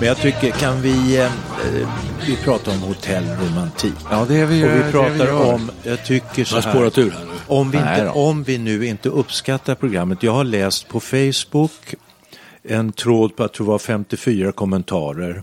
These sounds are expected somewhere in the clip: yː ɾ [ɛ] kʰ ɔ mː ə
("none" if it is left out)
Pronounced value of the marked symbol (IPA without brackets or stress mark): a